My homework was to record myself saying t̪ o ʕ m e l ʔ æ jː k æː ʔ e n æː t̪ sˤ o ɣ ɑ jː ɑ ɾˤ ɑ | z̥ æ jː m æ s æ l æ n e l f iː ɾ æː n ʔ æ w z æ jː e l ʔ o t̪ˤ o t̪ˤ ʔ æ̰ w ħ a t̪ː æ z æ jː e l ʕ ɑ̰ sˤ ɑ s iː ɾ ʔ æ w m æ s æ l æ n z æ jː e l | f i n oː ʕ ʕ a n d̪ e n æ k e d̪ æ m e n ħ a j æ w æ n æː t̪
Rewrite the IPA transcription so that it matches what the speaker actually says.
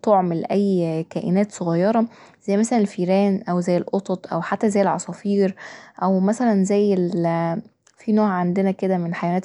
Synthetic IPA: t̪ o ʕ m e l ʔ æ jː k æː ʔ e n æː t̪ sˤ o ɣ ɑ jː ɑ ɾˤ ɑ | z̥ æ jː m æ s æ l æ n e l f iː ɾ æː n ʔ æ w z æ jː e l ʔ o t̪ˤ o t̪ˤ ʔ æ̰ w ħ a t̪ː æ z æ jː e l ʕ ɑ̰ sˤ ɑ f iː ɾ ʔ æ w m æ s æ l æ n z æ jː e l | f i n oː ʕ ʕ a n d̪ e n æ k e d̪ æ m e n ħ a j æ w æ n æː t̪